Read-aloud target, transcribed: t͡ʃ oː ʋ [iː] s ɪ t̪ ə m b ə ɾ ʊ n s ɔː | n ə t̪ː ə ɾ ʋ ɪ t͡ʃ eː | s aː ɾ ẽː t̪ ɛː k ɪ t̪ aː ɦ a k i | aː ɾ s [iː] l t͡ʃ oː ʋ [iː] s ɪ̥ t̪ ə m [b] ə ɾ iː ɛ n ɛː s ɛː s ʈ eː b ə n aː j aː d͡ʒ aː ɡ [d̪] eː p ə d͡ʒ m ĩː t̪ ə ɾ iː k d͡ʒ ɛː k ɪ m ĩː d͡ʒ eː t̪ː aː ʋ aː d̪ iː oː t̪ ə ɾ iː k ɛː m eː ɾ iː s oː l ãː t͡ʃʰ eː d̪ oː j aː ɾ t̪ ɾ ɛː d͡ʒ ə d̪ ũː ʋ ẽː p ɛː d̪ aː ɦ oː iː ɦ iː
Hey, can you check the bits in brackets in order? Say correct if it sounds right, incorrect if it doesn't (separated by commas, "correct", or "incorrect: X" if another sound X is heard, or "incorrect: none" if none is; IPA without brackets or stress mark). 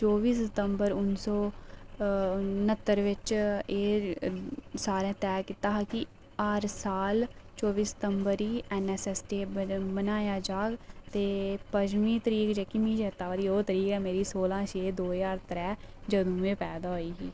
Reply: correct, incorrect: aː, correct, correct, incorrect: t̪